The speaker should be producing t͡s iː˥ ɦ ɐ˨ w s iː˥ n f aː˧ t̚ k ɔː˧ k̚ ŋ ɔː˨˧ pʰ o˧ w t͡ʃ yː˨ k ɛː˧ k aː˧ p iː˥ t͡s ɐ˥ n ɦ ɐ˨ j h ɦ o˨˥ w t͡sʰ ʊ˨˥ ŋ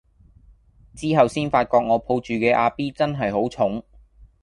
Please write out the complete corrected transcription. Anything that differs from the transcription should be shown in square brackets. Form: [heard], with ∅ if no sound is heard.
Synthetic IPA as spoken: t͡s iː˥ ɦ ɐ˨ w s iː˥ n f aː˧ t̚ k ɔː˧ k̚ ŋ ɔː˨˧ pʰ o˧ w t͡ʃ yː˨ k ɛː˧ [ʔ] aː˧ p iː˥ t͡s ɐ˥ n ɦ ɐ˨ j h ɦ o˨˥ w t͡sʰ ʊ˨˥ ŋ